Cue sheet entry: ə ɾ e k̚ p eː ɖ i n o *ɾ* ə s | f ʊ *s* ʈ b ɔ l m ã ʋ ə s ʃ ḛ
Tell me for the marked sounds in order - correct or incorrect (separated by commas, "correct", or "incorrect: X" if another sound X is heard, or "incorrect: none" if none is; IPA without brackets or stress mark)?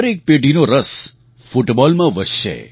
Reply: correct, incorrect: none